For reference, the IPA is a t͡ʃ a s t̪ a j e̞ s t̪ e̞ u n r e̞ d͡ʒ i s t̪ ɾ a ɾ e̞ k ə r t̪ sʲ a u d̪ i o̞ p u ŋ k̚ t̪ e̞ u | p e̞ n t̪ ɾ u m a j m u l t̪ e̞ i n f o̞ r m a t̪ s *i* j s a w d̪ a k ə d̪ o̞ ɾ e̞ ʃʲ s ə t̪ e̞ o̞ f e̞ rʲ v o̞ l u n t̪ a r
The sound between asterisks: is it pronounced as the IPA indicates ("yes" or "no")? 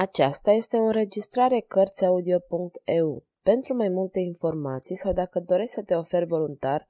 yes